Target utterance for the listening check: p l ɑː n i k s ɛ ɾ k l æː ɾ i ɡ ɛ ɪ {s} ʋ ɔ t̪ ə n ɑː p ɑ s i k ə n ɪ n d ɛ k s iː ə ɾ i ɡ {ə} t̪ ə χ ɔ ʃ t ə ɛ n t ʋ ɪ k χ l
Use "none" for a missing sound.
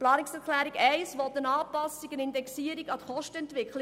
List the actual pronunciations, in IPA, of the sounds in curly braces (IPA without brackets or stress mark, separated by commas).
s, ɑ